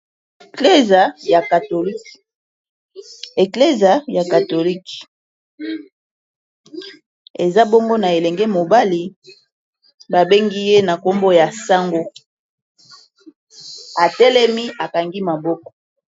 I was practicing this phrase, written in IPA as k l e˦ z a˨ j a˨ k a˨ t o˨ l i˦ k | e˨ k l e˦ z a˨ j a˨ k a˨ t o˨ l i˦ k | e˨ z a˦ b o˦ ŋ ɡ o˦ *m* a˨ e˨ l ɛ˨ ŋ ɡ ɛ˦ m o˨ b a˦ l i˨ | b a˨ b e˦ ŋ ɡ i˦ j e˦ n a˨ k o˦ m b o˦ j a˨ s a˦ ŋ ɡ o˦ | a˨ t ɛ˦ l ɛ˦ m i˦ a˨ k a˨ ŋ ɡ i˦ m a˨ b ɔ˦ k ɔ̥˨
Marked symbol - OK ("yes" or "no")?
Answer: no